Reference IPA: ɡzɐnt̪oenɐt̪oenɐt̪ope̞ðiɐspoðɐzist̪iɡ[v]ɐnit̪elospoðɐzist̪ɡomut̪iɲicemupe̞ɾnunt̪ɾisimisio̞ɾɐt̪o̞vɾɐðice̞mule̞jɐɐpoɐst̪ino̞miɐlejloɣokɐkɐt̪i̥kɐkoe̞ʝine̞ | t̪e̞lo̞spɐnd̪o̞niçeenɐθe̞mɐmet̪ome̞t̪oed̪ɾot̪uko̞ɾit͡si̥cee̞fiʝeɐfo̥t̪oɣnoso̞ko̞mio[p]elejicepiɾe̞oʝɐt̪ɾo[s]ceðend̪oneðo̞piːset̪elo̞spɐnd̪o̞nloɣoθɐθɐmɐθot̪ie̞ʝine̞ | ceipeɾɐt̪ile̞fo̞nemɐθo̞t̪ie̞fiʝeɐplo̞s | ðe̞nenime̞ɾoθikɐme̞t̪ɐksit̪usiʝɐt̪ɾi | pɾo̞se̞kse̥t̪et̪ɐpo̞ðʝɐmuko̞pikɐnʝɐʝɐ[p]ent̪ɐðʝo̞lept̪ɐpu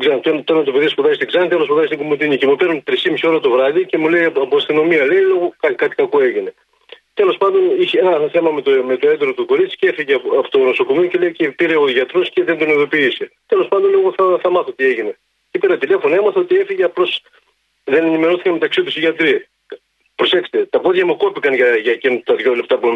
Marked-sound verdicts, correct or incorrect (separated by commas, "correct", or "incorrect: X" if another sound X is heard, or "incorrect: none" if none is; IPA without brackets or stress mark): incorrect: z, incorrect: c, correct, incorrect: c